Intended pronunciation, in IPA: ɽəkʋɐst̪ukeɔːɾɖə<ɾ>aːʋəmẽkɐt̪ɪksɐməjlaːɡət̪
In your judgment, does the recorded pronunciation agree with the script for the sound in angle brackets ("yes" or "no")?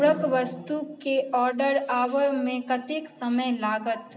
yes